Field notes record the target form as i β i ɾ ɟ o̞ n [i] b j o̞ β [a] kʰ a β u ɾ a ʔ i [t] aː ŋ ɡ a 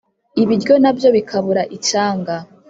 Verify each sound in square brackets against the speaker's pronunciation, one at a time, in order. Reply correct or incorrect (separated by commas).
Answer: incorrect, incorrect, incorrect